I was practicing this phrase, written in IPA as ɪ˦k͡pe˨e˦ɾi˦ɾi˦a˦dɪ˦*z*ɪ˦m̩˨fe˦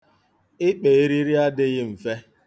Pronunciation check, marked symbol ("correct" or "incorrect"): incorrect